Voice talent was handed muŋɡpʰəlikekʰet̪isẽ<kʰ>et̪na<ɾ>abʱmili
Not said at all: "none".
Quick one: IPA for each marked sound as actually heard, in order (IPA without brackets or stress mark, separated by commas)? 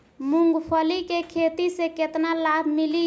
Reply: k, l